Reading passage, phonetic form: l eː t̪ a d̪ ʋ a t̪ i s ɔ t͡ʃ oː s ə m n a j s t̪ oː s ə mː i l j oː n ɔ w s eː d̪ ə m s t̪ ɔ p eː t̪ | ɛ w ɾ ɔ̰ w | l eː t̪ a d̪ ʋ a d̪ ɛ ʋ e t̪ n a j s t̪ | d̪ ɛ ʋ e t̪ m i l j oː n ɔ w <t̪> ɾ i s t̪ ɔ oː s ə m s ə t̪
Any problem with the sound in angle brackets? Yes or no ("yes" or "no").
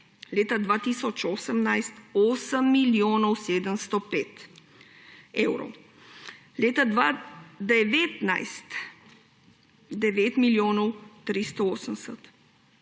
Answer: no